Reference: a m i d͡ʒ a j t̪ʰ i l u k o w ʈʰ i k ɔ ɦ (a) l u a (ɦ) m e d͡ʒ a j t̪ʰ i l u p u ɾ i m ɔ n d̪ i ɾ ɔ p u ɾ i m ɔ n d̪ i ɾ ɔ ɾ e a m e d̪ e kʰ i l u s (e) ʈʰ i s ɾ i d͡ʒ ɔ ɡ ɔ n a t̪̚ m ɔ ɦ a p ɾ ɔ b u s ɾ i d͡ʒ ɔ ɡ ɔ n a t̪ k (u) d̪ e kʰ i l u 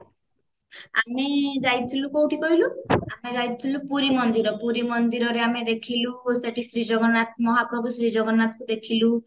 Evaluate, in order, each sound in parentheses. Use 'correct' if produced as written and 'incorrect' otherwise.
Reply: incorrect: i, incorrect: none, correct, correct

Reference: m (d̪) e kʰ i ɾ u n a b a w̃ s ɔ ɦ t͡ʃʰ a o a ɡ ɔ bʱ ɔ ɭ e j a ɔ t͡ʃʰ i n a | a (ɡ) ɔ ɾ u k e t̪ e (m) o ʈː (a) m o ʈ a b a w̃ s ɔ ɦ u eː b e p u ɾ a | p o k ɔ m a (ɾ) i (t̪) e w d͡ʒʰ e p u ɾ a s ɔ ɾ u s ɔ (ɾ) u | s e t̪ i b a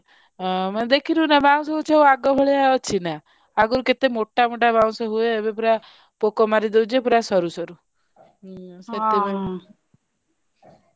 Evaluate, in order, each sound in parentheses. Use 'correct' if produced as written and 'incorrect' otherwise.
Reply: correct, correct, correct, correct, correct, incorrect: d̪, correct

